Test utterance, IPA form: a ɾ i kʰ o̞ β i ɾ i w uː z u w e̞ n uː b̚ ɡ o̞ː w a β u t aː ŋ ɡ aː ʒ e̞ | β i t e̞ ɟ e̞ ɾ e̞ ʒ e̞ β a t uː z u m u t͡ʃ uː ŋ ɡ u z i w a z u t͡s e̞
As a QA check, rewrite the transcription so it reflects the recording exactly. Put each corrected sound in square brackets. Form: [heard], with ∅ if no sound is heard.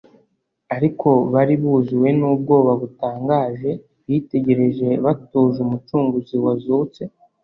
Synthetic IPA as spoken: a ɾ i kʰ o̞ β [a] ɾ i [β] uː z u w e̞ n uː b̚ ɡ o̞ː [β] a β u t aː ŋ ɡ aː ʒ e̞ | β i t e̞ ɟ e̞ ɾ e̞ ʒ e̞ β a t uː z u m u t͡ʃ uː ŋ ɡ u z i w a z u t͡s e̞